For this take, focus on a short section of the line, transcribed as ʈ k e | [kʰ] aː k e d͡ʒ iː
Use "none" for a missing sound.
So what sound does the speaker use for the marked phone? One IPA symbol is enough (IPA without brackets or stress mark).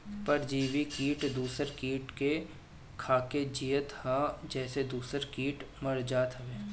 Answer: kʰ